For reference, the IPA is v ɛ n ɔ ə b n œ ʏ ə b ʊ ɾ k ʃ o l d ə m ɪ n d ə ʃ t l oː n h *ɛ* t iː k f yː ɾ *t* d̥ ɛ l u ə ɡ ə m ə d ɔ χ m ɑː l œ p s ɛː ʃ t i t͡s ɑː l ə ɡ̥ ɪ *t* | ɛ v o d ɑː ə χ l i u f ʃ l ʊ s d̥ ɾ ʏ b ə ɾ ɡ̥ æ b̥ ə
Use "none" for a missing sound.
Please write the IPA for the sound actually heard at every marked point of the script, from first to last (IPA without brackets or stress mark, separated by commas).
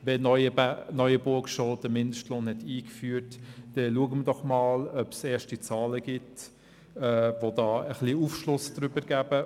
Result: ɛ, t, t